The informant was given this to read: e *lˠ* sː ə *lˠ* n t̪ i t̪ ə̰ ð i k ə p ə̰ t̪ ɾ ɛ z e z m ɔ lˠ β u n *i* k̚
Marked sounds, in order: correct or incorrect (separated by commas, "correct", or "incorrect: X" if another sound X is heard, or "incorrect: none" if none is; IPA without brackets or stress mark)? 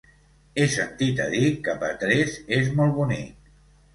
incorrect: none, incorrect: none, correct